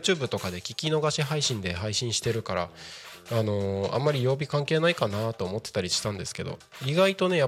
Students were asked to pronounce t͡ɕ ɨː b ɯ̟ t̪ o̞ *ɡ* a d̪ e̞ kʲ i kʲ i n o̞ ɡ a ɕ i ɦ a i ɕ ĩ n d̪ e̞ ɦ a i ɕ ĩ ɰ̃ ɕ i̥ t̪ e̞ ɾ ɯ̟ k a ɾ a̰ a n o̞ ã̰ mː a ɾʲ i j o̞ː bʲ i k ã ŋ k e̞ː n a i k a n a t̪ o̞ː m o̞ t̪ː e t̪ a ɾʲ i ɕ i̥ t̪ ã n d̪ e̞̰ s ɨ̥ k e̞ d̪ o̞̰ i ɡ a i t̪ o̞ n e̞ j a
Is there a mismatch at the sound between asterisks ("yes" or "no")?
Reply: yes